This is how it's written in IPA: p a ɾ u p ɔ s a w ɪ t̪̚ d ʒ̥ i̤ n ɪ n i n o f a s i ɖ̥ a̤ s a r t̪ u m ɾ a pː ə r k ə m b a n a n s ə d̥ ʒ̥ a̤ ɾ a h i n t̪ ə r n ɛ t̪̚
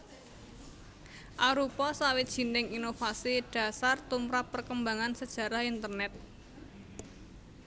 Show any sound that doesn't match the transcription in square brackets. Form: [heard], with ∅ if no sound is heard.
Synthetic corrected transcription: [ʔ] a ɾ u p ɔ s a w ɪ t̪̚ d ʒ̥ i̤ n ɪ [ŋ] i n o f a s i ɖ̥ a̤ s a r t̪ u m ɾ a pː ə r k ə m b a [ŋ] a n s ə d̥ ʒ̥ a̤ ɾ a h i n t̪ ə r n ɛ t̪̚